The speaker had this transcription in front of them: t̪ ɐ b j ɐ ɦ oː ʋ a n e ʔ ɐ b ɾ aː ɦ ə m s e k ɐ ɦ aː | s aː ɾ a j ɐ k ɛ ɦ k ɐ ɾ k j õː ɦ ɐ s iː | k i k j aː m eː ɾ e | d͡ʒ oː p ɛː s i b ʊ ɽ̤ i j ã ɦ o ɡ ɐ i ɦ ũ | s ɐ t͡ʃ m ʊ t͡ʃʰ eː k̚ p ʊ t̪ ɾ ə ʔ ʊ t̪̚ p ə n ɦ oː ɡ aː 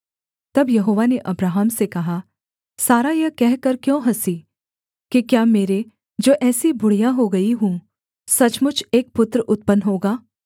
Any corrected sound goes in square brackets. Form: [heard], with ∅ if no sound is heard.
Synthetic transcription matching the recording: t̪ ɐ b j ɐ ɦ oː ʋ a n e ʔ ɐ b ɾ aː ɦ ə m s e k ɐ ɦ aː | s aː ɾ a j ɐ k ɛ ɦ k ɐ ɾ k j õː ɦ ɐ s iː | k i k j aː m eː ɾ e | d͡ʒ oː [ʔ] ɛː s i b ʊ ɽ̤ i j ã ɦ o ɡ ɐ i ɦ ũ | s ɐ t͡ʃ m ʊ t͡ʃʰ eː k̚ p ʊ t̪ ɾ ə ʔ ʊ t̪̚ p ə n ɦ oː ɡ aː